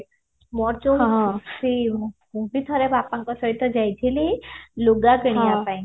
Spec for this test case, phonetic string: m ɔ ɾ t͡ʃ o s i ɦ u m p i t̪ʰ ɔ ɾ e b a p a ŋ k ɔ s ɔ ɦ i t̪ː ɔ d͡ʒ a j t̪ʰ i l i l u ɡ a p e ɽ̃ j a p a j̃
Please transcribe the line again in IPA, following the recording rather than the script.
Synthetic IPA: m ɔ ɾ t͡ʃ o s i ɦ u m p i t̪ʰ ɔ ɾ e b a p a ŋ k ɔ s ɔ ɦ i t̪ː ɔ d͡ʒ a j t̪ʰ i l i l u ɡ a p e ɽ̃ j a p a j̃